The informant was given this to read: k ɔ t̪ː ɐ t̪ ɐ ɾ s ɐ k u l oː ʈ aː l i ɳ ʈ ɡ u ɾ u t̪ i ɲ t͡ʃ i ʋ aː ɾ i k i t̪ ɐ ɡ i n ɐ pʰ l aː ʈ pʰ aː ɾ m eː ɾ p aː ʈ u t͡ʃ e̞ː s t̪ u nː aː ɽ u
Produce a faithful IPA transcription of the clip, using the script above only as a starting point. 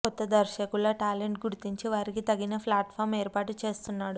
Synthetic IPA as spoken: k ɔ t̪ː ɐ d̪ ɐ ɾ ʃ ɐ k u l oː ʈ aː l e ɳ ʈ ɡ u ɾ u t̪ i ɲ t͡ʃ i ʋ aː ɾ i k i t̪ ɐ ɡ i n ɐ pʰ l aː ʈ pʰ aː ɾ m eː ɾ p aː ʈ u t͡ʃ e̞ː s t̪ u nː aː ɽ u